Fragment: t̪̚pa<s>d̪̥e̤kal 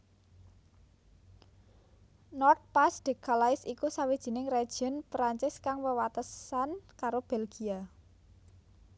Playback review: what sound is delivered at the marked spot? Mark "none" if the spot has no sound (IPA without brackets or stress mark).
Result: s